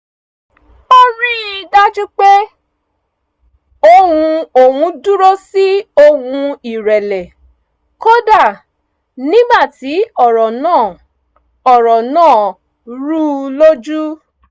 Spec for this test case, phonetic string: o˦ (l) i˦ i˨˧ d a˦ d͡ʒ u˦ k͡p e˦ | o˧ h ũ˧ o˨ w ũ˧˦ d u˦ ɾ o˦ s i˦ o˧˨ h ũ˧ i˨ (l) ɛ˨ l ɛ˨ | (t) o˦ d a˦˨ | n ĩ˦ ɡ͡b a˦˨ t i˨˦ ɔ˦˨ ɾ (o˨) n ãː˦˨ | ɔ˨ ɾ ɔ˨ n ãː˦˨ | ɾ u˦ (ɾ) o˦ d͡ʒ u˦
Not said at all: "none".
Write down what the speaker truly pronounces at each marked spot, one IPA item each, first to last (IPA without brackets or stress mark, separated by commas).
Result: ɾ, ɾ, k, ɔ˨, l